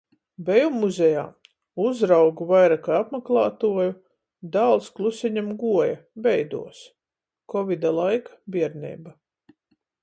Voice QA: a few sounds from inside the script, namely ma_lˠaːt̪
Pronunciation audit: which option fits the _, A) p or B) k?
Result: B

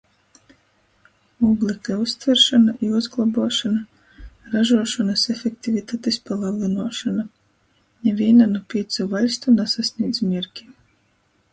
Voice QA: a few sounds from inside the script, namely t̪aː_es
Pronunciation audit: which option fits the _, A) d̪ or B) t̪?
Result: B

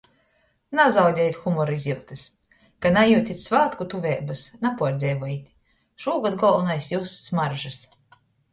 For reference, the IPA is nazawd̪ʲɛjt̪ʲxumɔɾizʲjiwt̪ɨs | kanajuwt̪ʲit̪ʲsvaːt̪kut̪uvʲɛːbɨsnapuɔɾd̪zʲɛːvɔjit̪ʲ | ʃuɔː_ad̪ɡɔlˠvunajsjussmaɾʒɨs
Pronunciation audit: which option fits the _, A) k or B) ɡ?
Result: B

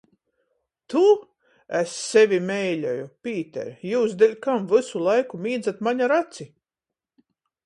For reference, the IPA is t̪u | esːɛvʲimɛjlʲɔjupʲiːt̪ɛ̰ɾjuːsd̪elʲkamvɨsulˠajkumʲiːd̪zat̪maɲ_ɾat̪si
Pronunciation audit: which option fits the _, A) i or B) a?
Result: B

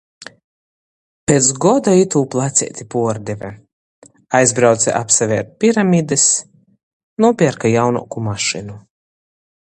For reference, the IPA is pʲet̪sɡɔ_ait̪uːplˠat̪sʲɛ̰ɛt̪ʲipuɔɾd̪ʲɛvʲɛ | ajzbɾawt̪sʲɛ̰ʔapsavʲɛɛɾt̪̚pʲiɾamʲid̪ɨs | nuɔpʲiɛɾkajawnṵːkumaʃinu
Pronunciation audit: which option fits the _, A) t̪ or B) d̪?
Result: B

